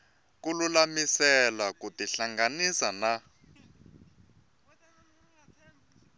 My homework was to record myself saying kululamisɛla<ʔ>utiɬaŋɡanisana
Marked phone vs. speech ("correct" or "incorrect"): incorrect